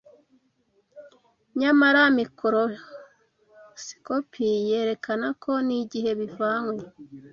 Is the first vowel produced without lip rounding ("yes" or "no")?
yes